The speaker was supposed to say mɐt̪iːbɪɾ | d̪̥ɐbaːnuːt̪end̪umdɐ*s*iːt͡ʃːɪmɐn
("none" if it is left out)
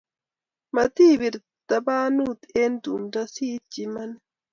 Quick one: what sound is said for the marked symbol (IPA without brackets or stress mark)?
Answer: s